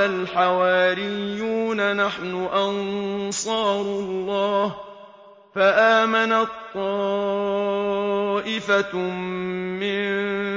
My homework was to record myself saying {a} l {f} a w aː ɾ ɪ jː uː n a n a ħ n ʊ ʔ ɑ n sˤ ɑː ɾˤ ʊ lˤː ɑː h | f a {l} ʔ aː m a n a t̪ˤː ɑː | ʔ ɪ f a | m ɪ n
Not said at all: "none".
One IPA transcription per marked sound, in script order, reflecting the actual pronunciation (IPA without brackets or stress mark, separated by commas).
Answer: a, ħ, none